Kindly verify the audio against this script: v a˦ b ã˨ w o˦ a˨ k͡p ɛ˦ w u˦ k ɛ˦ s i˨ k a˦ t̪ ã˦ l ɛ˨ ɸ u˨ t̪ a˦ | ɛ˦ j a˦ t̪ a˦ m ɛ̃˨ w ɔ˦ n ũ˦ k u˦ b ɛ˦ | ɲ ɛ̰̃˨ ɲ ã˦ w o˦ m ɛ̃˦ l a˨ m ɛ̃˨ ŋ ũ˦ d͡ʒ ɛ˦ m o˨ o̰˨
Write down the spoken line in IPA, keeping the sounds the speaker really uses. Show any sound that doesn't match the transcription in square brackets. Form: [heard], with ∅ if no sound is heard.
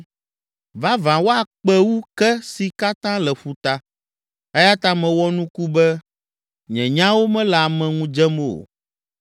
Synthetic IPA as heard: v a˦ [v] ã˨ w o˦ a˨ k͡p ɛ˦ w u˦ k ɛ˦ s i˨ k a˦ t̪ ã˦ l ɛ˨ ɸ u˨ t̪ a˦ | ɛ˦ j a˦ t̪ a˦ m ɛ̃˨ w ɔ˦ n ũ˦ k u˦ b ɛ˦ | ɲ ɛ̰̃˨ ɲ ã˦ w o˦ m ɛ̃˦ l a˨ m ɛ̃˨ ŋ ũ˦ d͡ʒ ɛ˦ m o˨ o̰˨